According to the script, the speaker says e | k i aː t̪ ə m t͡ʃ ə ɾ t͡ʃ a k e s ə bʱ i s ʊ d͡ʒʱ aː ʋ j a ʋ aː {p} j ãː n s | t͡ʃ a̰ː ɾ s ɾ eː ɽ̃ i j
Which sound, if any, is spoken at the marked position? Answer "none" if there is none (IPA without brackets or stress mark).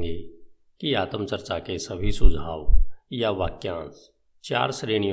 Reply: k